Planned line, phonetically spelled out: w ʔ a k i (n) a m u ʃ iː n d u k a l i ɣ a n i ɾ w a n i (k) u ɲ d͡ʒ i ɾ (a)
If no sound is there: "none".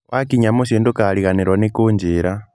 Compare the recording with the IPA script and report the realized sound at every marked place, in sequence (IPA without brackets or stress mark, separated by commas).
ɲ, k, a